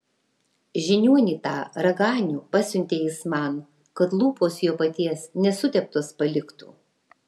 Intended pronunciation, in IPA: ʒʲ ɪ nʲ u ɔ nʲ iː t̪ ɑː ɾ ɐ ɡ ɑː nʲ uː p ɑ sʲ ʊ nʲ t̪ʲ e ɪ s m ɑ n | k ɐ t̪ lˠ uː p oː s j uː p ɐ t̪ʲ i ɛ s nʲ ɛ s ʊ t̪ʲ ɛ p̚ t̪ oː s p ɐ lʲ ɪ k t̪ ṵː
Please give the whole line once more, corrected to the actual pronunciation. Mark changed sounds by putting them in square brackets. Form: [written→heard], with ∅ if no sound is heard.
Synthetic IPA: ʒʲ ɪ nʲ u ɔ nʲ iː t̪ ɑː ɾ ɐ ɡ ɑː nʲ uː p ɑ sʲ ʊ nʲ t̪ʲ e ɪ s m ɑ n | k ɐ t̪ lˠ uː p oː s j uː p ɐ t̪ʲ i ɛ s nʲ ɛ s ʊ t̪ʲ ɛ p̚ t̪ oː s p ɐ lʲ ɪ k t̪ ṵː